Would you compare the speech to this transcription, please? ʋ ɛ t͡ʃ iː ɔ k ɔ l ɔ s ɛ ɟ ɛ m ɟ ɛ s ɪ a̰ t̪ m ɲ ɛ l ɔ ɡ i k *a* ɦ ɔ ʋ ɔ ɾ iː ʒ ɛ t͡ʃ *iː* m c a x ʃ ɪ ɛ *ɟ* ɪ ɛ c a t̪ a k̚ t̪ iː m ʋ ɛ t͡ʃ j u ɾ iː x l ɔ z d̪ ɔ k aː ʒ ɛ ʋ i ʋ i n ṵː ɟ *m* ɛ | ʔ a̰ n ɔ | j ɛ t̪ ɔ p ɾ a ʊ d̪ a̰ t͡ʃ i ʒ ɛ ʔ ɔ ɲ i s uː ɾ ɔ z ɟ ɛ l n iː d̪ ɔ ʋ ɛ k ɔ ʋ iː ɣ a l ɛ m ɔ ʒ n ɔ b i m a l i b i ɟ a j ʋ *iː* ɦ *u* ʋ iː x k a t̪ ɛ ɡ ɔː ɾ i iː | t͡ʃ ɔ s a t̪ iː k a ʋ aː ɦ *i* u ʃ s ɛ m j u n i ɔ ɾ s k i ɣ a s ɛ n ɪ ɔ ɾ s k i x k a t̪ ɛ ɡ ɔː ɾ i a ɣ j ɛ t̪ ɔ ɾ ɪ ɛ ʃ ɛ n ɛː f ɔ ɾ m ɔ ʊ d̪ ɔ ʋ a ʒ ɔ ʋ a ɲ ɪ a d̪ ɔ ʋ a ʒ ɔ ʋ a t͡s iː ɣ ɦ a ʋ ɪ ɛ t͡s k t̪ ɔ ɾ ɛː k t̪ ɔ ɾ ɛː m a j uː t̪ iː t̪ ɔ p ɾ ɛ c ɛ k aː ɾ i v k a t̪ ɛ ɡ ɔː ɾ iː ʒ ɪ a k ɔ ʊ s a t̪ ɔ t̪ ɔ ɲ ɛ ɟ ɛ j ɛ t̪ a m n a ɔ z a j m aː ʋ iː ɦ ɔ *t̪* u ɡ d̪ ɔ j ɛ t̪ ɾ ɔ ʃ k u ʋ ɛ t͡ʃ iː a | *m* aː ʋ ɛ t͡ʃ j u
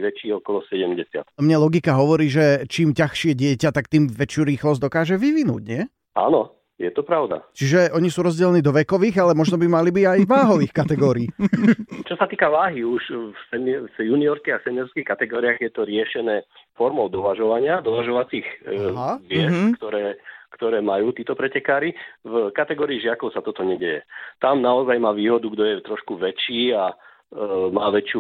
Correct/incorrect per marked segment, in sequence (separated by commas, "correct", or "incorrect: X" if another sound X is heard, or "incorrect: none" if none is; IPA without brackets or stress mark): correct, correct, correct, incorrect: ɲ, incorrect: aː, incorrect: ɔ, correct, incorrect: d̪, correct